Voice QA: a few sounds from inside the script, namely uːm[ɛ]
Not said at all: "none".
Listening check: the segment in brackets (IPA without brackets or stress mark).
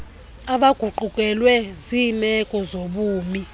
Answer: i